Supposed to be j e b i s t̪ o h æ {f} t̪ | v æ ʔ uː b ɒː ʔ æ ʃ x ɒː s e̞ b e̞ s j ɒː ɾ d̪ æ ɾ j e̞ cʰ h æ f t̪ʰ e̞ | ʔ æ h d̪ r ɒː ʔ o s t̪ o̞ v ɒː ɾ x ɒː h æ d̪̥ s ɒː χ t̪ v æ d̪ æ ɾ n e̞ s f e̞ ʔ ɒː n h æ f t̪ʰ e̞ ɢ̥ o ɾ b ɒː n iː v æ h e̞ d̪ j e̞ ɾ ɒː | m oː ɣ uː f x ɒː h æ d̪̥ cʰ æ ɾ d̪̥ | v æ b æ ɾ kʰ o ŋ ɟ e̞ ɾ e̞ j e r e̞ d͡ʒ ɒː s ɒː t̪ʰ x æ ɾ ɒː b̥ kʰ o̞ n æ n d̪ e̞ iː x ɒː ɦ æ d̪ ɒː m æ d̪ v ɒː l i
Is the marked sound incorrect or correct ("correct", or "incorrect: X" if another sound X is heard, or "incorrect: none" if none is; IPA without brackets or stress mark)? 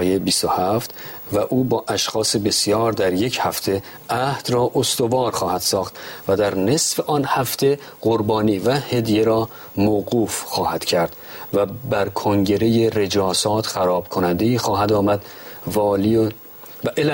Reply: correct